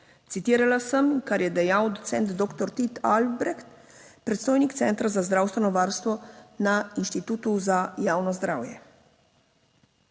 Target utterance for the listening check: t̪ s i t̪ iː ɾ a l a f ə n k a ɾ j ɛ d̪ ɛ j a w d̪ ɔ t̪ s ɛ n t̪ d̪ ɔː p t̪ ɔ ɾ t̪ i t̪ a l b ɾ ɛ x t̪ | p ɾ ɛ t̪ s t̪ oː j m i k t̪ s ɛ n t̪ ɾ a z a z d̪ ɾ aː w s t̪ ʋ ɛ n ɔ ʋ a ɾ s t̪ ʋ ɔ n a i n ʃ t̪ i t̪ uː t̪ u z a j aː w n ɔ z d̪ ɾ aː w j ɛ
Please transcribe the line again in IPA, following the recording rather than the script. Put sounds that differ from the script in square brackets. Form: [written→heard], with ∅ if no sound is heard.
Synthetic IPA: t̪ s i t̪ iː ɾ a l a [f→s] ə [n→m] k a ɾ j ɛ d̪ ɛ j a w d̪ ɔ t̪ s ɛ n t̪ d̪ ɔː [p→k] t̪ ɔ ɾ t̪ i t̪ a l b ɾ ɛ x t̪ | p ɾ ɛ t̪ s t̪ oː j [m→n] i k t̪ s ɛ n t̪ ɾ a z a z d̪ ɾ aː w s t̪ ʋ ɛ n ɔ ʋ a ɾ s t̪ ʋ ɔ n a i n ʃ t̪ i t̪ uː t̪ u z a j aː w n ɔ z d̪ ɾ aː w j ɛ